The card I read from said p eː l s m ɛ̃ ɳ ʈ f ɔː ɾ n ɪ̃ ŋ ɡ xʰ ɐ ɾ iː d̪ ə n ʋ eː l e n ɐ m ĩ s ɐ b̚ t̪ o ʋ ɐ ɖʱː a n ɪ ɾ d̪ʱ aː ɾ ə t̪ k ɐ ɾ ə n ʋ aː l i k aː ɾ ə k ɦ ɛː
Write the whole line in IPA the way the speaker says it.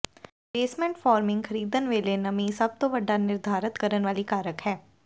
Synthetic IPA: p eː s m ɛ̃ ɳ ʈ f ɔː ɾ m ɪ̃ ŋ ɡ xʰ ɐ ɾ iː d̪ ə n ʋ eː l e n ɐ m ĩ s ɐ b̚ t̪ o ʋ ɐ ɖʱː a n ɪ ɾ d̪ʱ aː ɾ ə t̪ k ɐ ɾ ə n ʋ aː l i k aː ɾ ə k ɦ ɛː